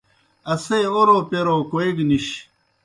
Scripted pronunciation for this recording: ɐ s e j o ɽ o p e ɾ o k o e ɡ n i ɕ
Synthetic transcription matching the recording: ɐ s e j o ɾ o p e ɾ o k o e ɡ n i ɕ

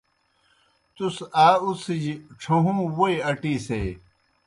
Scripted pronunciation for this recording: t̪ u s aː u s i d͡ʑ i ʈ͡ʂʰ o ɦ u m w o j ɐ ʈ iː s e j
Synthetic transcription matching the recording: t̪ u s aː u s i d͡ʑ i ʈ͡ʂʰ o ɦ u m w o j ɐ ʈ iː s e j

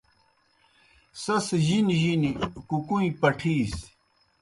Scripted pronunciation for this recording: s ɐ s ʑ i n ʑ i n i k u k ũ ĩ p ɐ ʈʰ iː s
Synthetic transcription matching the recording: s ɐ s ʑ i n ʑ i n i k u k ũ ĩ p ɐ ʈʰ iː s

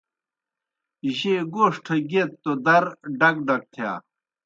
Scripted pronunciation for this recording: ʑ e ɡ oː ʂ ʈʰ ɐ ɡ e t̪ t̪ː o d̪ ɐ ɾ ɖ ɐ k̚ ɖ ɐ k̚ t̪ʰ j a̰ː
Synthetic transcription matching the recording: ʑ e ɡ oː ʂ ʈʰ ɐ ɡ e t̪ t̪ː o d̪ ɐ ɾ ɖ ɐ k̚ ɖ ɐ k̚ t̪ʰ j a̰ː

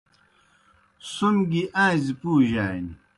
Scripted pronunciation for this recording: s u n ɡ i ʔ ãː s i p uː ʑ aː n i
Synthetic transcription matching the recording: s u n ɡ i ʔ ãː z i p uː ʑ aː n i

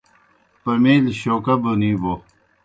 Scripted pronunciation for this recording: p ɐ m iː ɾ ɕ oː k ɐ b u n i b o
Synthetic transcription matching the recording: p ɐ m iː l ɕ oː k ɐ b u n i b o

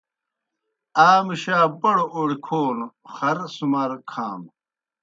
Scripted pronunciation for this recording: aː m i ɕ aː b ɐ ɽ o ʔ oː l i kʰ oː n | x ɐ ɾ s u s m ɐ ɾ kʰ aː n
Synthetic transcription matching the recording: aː m i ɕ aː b ɐ ɽ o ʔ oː ɽ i kʰ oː n | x ɐ ɾ s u m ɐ ɾ kʰ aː m

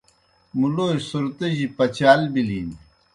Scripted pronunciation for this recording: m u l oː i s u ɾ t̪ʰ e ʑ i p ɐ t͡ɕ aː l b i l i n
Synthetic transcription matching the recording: m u l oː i s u ɾ t̪ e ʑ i p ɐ t͡ɕ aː l b i l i n

